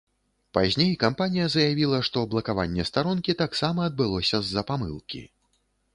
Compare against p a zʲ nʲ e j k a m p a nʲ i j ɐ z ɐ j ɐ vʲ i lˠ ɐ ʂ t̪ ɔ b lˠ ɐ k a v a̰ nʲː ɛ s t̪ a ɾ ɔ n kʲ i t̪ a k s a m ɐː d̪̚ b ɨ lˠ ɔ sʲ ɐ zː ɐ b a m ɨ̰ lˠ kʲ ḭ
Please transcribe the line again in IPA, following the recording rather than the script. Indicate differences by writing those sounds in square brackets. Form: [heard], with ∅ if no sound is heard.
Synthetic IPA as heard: p a zʲ nʲ e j k a m p a nʲ i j ɐ z ɐ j [a] vʲ i lˠ ɐ ʂ t̪ ɔ b lˠ ɐ k a v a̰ nʲː ɛ s t̪ a ɾ ɔ n kʲ i t̪ a k s a m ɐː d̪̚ b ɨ lˠ ɔ sʲ ɐ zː ɐ [p] a m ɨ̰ lˠ kʲ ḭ